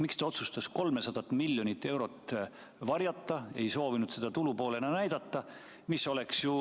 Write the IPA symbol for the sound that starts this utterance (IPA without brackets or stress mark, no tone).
m